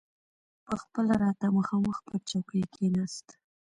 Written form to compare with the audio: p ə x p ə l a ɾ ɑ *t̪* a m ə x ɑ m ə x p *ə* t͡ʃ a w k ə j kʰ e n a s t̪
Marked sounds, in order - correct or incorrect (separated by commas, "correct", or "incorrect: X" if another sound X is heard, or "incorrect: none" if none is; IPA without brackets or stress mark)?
correct, correct